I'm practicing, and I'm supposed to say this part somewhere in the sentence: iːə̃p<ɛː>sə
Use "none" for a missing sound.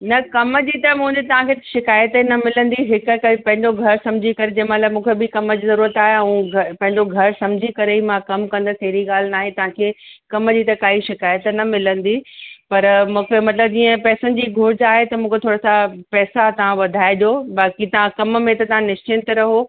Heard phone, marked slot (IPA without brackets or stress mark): ɛː